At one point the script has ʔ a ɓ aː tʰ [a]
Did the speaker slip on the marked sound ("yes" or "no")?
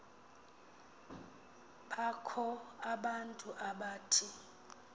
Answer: yes